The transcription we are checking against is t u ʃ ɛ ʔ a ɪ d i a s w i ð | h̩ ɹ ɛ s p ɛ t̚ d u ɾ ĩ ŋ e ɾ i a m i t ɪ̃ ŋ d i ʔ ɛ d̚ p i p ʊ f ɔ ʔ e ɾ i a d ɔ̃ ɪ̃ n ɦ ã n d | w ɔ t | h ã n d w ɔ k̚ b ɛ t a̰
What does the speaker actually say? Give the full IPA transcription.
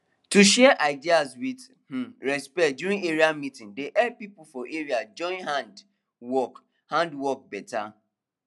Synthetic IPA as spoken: t u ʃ ɛ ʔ a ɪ d i a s w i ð | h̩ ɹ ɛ s p ɛ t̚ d u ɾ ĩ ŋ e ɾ i a m i t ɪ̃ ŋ d e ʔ ɛ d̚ p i p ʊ f ɔ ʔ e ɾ i a d͡ʒ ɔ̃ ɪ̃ n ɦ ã n d | w ɔ k | h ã n d w ɔ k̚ b ɛ t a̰

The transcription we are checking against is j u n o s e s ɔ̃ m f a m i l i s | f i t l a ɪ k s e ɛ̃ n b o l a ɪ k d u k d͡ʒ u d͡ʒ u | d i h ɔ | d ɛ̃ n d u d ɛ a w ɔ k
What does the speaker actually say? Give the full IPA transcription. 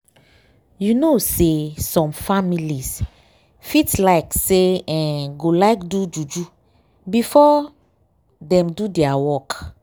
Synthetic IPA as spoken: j u n o s e s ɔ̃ m f a m i l i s | f i t l a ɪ k s e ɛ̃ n ɡ o l a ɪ k d u d͡ʒ u d͡ʒ u | b i f ɔ | d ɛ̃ m d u d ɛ a w ɔ k

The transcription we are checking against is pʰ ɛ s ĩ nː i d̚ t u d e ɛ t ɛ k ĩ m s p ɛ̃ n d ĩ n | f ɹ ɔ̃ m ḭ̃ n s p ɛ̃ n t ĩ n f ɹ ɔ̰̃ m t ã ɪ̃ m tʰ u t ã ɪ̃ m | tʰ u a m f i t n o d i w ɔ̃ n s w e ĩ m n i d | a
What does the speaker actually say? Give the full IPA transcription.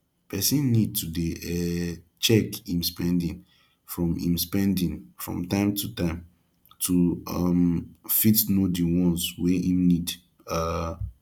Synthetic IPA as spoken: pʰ ɛ s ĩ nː i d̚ t u d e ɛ t͡ʃ ɛ k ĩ m s p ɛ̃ n d ĩ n | f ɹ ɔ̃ m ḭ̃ m s p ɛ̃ n d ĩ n f ɹ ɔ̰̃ m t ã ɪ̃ m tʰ u t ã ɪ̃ m | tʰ u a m f i t n o d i w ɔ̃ n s w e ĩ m n i d | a

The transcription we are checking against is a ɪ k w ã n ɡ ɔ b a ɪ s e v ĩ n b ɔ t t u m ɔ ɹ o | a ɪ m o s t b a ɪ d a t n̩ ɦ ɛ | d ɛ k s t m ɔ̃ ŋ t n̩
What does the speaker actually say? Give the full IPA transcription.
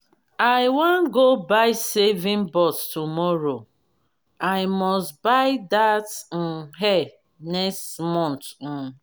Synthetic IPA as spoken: a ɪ w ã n ɡ o b a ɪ s e v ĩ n b ɔ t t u m ɔ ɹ o | a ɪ m ɔ s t b a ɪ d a t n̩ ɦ ɛ | n ɛ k s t m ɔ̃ n t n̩

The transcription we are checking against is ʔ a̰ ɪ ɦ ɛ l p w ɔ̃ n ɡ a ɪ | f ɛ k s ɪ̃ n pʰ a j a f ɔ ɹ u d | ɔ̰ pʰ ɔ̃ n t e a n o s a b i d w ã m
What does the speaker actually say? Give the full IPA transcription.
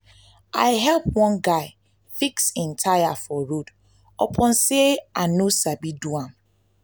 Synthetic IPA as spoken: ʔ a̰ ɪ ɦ ɛ l p w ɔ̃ n ɡ a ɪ | f i k s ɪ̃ n tʰ a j a f ɔ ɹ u d | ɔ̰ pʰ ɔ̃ n s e a n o s a b i d u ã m

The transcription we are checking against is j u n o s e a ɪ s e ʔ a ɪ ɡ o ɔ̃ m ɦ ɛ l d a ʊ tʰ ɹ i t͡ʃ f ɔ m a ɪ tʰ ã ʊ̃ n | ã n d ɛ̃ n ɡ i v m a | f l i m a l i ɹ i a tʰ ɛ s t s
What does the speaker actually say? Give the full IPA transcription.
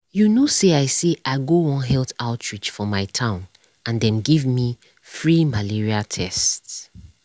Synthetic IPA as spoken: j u n o s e a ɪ s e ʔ a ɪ ɡ o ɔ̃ n ɦ ɛ l t a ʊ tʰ ɹ i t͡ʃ f ɔ m a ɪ tʰ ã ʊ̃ n | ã n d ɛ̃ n ɡ i v m i | f ɹ i m a l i ɹ i a tʰ ɛ s t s

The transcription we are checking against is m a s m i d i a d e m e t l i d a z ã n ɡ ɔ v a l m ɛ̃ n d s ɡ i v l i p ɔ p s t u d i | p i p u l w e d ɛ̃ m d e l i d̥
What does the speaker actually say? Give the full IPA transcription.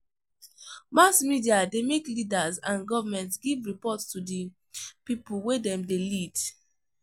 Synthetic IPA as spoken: m a s m i d i a d e m e k l i d a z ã n ɡ ɔ v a m ɛ̃ n t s ɡ i v ɹ i p ɔ t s t u d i | p i p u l w e d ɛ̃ m d e l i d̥

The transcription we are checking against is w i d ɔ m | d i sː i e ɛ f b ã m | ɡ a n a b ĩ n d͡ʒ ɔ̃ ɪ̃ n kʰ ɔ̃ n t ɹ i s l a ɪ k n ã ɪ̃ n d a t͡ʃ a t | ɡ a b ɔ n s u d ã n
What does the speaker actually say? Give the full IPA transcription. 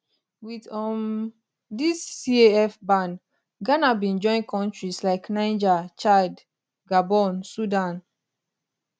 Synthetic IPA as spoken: w i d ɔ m | d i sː i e ɛ f b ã n | ɡ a n a b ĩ n d͡ʒ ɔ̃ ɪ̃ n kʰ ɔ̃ n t ɹ i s l a ɪ k n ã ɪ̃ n d͡ʒ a t͡ʃ a d | ɡ a b ɔ n s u d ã n

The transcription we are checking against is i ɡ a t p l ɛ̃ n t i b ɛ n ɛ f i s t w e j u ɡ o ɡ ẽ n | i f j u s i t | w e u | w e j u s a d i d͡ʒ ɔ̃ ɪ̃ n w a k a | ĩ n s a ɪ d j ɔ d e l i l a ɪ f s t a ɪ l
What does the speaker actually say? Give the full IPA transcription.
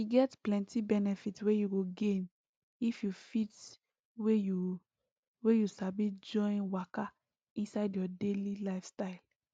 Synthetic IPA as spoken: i ɡ ɛ t p l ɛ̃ n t i b ɛ n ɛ f i t w e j u ɡ o ɡ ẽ n | i f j u f i t | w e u | w e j u s a b i d͡ʒ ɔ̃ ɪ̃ n w a k a | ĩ n s a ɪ d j ɔ d e l i l a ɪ f s t a ɪ l

